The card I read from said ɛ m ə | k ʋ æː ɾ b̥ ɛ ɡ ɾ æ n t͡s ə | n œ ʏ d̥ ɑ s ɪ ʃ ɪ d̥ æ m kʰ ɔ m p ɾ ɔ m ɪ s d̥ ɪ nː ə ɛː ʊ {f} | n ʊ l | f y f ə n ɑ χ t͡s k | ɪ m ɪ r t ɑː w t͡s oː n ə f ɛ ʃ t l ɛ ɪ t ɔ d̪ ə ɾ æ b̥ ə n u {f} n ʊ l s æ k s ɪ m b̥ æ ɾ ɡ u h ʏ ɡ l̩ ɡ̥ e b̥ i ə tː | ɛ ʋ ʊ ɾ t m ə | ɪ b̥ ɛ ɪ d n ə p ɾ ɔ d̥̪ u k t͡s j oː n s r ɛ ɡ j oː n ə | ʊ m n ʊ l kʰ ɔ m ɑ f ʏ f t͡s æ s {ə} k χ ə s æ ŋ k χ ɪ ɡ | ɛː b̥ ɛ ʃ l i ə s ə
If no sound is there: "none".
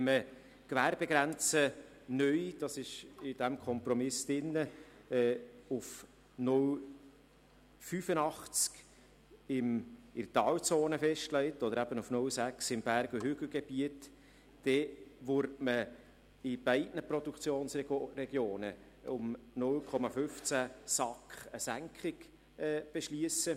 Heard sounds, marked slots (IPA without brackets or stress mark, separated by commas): f, f, ɑ